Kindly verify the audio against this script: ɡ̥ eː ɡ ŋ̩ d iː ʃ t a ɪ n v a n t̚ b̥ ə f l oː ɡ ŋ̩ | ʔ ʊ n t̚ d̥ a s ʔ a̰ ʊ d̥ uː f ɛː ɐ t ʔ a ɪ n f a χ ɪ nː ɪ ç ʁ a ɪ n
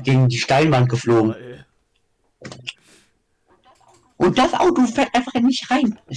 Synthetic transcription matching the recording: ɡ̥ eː ɡ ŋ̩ d iː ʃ t a ɪ n v a n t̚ ɡ̥ ə f l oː ɡ ŋ̩ | ʔ ʊ n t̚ d̥ a s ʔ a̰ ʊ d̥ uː f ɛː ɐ t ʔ a ɪ n f a χ ɪ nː ɪ ç ʁ a ɪ n

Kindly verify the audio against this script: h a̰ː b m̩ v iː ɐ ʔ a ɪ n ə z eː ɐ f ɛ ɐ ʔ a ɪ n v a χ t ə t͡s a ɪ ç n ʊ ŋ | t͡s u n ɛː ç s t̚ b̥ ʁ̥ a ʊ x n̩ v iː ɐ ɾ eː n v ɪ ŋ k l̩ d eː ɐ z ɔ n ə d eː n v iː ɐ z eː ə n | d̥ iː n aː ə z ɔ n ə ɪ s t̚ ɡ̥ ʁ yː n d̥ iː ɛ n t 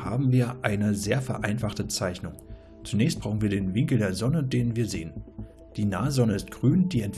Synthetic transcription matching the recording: h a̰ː b m̩ v iː ɐ ʔ a ɪ n ə z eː ɐ f ɛ ɐ ʔ a ɪ n f a χ t ə t͡s a ɪ ç n ʊ ŋ | t͡s u n ɛː ç s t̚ b̥ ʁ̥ a ʊ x n̩ v iː ɐ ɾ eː n v ɪ ŋ k l̩ d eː ɐ z ɔ n ə d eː n v iː ɐ z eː ə n | d̥ iː n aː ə z ɔ n ə ɪ s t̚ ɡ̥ ʁ yː n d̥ iː ɛ n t

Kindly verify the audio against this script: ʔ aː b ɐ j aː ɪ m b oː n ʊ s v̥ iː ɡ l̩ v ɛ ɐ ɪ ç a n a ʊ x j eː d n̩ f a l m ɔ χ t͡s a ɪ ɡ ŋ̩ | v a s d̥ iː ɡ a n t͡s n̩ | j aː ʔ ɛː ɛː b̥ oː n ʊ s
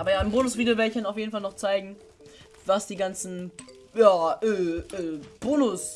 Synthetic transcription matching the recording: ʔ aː b ɐ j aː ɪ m b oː n ʊ s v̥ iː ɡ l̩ v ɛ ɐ ɪ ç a n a ʊ f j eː d n̩ f a l n ɔ χ t͡s a ɪ ɡ ŋ̩ | v a s d̥ iː ɡ a n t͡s n̩ | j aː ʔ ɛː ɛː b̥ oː n ʊ s

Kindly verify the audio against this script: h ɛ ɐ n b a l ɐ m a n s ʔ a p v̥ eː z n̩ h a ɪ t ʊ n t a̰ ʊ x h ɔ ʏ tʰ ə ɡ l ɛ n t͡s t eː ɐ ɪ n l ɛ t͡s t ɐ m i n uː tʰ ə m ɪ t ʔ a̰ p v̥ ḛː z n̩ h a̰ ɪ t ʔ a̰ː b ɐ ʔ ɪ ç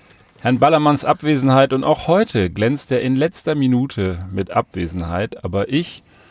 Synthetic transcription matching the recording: h ɛ ɐ n b a l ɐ m a n s ʔ a p v̥ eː z n̩ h a ɪ t ʊ n t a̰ ʊ x h ɔ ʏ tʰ ə ɡ l ɛ n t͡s t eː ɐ ɪ n l ɛ t͡s t ɐ m i n uː tʰ ə m ɪ t ʔ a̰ p v̥ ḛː z n̩ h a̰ ɪ t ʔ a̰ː b ɐ ʔ ɪ ç

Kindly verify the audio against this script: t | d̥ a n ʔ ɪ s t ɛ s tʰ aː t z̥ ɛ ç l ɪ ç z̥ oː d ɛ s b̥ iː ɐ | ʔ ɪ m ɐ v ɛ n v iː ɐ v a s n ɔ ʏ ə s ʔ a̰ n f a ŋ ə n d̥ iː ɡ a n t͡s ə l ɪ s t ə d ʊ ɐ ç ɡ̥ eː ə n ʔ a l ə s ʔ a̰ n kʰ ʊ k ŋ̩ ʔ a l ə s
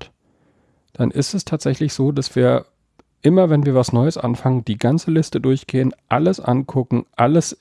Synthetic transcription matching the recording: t | d̥ a n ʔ ɪ s t ɛ s tʰ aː t z̥ ɛ ç l ɪ ç z̥ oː d a s v̥ iː ɐ | ʔ ɪ m ɐ v ɛ n v iː ɐ v a s n ɔ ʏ ə s ʔ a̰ n f a ŋ ə n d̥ iː ɡ a n t͡s ə l ɪ s t ə d ʊ ɐ ç ɡ̥ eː ə n ʔ a l ə s ʔ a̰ n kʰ ʊ k ŋ̩ ʔ a l ə s

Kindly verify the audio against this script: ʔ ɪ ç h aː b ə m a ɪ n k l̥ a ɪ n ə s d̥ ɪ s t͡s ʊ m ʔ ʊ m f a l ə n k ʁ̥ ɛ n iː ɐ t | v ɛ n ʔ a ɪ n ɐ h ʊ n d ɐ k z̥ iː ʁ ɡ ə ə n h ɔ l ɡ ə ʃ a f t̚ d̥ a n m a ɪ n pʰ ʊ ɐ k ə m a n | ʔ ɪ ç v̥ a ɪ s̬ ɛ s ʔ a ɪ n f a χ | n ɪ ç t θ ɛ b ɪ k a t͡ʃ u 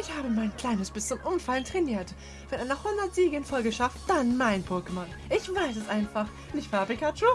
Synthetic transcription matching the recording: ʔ ɪ ç h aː b ə m a ɪ n k l̥ a ɪ n ə s b̥ ɪ s t͡s ʊ m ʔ ʊ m f a l ə n t ʁ̥ ɛ n iː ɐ t | v ɛ n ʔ a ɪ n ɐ h ʊ n d ɐ t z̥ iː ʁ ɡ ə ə n f ɔ l ɡ ə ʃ a f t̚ d̥ a n m a ɪ n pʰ ʊ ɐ k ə m a n | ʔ ɪ ç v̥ a ɪ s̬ ɛ s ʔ a ɪ n f a χ | n ɪ ç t f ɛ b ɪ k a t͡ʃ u

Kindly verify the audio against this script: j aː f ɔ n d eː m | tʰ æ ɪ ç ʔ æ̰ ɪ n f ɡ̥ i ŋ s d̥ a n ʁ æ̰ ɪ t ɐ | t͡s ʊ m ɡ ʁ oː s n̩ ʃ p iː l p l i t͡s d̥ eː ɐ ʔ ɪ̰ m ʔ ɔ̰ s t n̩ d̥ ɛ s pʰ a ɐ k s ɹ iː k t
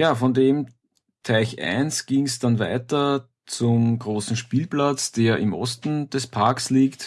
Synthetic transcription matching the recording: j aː f ɔ n d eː m | tʰ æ ɪ ç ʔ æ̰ ɪ n s ɡ̥ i ŋ s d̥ a n v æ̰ ɪ t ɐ | t͡s ʊ m ɡ ʁ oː s n̩ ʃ p iː l p l a t͡s d̥ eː ɐ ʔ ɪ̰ m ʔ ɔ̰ s t n̩ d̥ ɛ s pʰ a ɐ k s l iː k t

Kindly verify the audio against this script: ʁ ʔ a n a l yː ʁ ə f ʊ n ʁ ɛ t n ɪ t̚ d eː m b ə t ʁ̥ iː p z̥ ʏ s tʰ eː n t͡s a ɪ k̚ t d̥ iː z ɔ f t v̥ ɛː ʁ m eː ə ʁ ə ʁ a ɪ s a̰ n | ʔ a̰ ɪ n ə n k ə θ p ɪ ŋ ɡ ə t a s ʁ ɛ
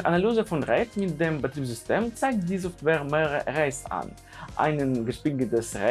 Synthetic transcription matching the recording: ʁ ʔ a n a l yː z ə f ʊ n ʁ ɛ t m ɪ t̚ d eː m b ə t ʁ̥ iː p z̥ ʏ s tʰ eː m t͡s a ɪ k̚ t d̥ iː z ɔ f t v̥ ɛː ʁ m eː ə ʁ ə ʁ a ɪ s a̰ n | ʔ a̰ ɪ n ə n ɡ ə ʃ p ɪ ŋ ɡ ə t ə s ʁ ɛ

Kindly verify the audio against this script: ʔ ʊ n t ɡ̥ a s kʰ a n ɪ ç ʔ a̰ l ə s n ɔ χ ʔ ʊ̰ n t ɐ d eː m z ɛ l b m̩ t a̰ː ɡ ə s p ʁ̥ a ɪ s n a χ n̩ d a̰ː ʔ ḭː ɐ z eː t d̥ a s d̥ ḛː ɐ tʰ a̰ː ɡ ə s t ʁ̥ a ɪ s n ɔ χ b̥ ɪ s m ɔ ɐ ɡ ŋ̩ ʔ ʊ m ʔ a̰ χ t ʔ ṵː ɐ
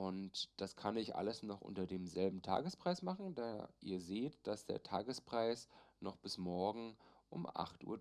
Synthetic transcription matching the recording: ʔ ʊ n t d̥ a s kʰ a n ɪ ç ʔ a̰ l ə s n ɔ χ ʔ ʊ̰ n t ɐ d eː m z ɛ l b m̩ tʰ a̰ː ɡ ə s p ʁ̥ a ɪ s m a χ n̩ d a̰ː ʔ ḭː ɐ z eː t d̥ a s d̥ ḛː ɐ tʰ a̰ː ɡ ə s p ʁ̥ a ɪ s n ɔ χ b̥ ɪ s m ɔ ɐ ɡ ŋ̩ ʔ ʊ m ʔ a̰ χ t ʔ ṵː ɐ

